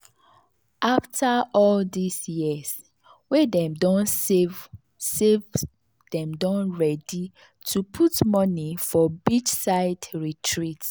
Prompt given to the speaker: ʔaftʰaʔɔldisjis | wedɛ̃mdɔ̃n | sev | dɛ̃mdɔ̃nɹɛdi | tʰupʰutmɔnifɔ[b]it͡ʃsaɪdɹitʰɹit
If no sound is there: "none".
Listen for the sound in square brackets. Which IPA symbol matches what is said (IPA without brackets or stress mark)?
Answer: b